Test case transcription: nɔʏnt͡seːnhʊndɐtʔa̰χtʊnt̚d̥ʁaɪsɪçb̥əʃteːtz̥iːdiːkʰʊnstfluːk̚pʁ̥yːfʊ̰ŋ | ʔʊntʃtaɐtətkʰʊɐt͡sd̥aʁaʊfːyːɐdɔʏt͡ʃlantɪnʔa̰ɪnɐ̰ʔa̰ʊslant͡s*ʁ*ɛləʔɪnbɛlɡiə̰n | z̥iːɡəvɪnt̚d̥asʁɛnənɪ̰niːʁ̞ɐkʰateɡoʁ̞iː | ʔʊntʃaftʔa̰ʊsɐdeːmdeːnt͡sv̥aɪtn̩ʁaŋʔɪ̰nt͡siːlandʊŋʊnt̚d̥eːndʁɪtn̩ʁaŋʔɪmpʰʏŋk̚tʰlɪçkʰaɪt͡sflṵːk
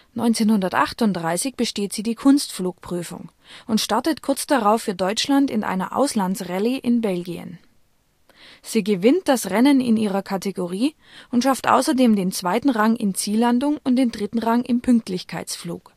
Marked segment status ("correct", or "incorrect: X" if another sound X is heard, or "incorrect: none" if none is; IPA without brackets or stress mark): correct